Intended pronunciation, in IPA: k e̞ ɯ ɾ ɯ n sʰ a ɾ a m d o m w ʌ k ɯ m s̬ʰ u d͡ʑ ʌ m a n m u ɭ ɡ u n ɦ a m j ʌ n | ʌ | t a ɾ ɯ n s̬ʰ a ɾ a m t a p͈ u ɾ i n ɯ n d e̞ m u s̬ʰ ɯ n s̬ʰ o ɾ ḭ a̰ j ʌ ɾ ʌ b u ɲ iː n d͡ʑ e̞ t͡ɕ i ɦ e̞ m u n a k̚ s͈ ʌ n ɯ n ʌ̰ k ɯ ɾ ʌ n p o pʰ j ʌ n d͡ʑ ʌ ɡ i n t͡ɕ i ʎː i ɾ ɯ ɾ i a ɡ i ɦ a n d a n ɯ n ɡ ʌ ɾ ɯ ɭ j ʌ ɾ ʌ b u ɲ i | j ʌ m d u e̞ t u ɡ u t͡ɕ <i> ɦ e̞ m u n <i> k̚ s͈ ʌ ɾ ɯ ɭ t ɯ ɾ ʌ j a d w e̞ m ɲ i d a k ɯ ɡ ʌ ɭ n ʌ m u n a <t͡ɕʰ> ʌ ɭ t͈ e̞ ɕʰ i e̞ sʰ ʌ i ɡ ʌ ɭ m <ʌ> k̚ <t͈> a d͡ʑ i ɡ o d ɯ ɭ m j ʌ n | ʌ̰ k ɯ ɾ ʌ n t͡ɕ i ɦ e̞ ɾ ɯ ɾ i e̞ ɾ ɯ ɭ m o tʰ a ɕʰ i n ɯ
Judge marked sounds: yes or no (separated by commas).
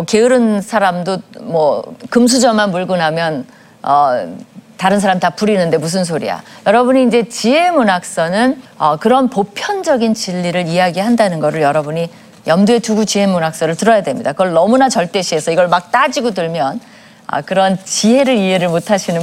yes, no, no, no, yes